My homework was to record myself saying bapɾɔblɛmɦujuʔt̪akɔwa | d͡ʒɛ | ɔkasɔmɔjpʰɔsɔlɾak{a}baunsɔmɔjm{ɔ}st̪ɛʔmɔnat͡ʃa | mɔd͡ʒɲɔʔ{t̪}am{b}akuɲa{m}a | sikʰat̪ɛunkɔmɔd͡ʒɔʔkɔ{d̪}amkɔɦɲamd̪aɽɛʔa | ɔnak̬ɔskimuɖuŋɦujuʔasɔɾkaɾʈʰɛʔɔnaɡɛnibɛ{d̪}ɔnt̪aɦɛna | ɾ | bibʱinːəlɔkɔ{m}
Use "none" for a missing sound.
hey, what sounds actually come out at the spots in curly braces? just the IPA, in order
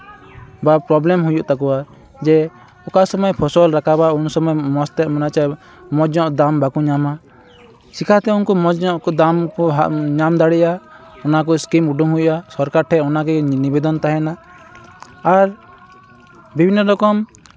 a, ɔ, d̪, b, m, d̪, d̪, m

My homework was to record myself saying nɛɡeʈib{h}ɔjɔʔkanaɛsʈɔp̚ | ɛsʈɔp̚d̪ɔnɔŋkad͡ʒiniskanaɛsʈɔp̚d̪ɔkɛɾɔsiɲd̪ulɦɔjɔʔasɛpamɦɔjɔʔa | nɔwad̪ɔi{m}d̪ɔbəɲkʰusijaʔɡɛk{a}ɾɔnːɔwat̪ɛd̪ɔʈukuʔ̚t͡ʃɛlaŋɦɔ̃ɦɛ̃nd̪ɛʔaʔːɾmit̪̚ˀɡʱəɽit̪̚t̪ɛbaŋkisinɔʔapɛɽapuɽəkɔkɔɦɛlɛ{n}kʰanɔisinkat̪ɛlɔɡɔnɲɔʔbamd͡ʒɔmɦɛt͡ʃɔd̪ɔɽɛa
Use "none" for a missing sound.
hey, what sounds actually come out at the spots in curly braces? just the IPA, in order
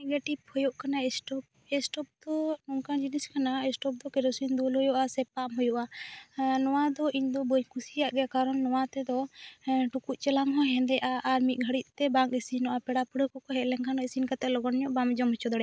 h, ɲ, a, ŋ

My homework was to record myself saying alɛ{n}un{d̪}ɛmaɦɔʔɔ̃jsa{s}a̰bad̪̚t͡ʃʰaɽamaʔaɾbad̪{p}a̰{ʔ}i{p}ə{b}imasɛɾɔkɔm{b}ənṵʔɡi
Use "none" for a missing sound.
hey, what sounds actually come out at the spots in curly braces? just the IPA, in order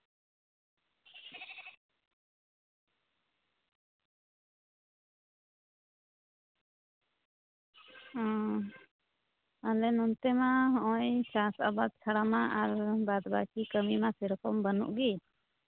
n, t̪, s, b, k, k, m, b

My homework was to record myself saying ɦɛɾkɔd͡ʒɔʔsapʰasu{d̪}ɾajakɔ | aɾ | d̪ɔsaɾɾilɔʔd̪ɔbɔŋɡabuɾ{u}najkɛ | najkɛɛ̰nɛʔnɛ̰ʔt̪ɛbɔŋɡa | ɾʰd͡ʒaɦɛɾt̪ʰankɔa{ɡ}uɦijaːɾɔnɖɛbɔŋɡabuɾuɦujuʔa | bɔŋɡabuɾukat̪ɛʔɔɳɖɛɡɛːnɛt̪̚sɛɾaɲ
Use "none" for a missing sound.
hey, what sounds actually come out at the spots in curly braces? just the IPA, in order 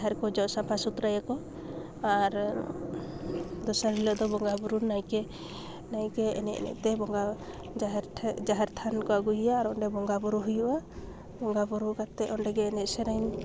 t̪, u, ɡ

